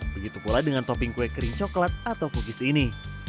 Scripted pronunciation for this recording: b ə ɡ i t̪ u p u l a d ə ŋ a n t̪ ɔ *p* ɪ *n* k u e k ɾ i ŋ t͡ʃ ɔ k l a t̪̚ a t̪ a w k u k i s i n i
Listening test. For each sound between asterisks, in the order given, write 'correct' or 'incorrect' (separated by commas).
correct, incorrect